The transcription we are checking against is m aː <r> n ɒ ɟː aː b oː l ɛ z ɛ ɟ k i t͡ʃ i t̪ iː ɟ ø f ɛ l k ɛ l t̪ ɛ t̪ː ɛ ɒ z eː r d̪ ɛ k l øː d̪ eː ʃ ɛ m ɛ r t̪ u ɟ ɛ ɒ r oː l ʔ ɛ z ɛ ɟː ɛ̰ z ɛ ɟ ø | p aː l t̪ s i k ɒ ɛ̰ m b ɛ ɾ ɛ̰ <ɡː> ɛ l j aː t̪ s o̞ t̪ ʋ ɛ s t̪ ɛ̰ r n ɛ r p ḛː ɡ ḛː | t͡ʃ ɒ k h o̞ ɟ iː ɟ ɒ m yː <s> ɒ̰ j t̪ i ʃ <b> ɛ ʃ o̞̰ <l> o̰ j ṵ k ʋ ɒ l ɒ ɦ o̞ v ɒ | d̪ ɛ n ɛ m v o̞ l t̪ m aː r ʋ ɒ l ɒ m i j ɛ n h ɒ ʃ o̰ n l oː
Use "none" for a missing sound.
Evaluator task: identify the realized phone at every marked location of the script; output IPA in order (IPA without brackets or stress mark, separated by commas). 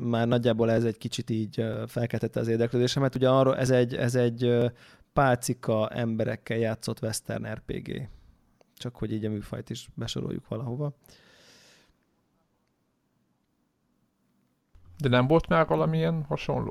r, kː, f, b, ɾ